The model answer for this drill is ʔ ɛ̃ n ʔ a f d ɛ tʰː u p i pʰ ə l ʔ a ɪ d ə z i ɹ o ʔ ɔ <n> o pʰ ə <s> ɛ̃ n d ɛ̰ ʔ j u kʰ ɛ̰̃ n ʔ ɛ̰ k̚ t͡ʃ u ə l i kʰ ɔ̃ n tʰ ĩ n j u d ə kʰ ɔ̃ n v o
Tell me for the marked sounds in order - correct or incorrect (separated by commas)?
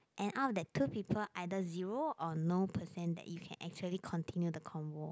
correct, correct